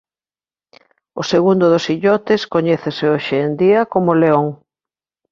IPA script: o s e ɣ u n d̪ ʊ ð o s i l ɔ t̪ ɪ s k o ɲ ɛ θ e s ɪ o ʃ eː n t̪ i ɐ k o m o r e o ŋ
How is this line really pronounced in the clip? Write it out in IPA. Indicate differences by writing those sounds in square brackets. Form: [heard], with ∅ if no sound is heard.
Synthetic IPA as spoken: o s e ɣ u n d̪ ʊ ð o s i [ʎ] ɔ t̪ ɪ s k o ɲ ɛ θ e s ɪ o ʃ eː n [d̪] i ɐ k o m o [l] e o ŋ